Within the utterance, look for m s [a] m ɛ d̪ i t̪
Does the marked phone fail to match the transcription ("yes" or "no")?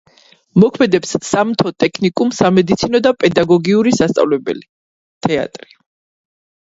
no